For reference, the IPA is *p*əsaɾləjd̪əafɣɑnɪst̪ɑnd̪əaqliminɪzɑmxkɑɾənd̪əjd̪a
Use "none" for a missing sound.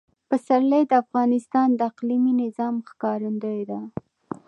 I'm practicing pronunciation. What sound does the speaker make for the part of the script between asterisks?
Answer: p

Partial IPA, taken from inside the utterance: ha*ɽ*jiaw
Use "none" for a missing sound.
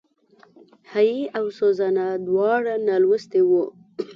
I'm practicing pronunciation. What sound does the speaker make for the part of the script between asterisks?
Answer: none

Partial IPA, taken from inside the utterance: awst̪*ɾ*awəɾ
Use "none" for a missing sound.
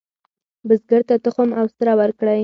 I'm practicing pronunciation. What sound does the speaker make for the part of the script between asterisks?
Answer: ɾ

